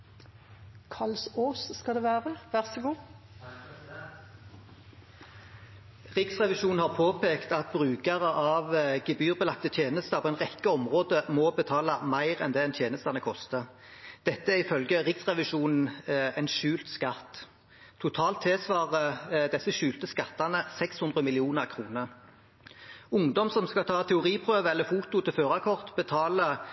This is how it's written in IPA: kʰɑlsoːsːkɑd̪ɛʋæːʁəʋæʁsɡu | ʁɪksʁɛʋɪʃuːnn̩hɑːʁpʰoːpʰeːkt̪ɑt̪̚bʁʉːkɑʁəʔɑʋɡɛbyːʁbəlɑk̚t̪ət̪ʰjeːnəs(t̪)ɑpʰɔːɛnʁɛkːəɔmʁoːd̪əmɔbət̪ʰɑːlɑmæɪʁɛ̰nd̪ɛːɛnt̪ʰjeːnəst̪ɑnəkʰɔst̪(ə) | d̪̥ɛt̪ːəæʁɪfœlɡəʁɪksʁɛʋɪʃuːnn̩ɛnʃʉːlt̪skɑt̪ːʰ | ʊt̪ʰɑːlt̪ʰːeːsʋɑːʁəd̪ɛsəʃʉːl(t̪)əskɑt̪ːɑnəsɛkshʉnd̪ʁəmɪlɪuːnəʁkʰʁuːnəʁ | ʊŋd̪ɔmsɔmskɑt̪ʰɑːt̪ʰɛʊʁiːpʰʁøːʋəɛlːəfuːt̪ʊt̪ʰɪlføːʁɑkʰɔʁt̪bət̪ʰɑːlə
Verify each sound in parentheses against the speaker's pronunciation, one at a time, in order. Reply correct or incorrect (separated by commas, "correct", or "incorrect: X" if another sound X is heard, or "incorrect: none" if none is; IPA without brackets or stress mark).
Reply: correct, correct, correct